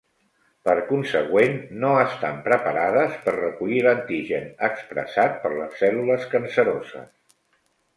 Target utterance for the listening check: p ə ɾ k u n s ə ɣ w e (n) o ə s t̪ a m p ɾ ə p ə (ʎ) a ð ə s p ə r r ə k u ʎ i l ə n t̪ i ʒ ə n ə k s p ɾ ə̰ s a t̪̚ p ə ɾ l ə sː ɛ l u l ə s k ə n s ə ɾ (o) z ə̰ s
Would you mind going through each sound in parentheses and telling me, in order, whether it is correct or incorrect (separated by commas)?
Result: incorrect, incorrect, correct